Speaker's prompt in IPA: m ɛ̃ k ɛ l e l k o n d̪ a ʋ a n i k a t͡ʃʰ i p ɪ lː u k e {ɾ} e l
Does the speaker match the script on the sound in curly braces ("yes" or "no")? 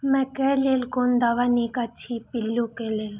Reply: no